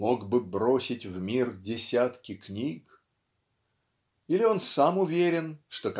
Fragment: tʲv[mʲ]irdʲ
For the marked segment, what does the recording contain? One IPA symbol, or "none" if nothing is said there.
mʲ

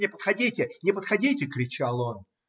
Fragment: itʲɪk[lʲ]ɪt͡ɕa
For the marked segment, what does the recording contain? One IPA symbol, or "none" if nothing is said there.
ɾʲ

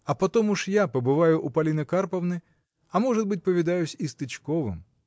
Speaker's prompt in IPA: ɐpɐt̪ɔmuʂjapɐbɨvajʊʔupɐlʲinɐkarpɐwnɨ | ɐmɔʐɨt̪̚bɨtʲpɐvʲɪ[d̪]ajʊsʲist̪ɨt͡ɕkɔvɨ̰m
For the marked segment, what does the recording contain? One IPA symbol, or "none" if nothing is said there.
d̪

